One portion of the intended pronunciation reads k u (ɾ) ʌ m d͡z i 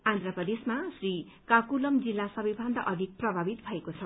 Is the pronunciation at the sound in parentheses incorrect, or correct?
incorrect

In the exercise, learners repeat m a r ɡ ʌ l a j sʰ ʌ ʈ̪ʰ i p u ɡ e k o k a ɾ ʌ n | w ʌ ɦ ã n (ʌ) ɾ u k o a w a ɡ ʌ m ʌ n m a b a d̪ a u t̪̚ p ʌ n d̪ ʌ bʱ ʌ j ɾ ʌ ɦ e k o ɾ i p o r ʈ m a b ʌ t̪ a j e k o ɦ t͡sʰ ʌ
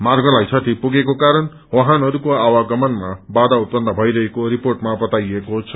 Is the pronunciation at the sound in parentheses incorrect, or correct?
correct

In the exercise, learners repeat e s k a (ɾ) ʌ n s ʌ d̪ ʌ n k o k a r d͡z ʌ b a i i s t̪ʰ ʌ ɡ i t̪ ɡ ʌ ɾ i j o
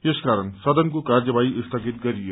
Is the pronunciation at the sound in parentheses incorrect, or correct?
correct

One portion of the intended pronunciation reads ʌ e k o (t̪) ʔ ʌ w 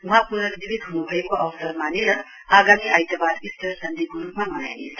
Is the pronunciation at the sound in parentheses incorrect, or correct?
incorrect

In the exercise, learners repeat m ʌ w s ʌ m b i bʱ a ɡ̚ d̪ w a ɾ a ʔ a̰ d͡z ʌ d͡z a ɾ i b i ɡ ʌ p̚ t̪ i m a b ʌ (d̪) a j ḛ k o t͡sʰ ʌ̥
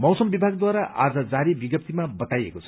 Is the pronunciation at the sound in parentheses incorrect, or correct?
incorrect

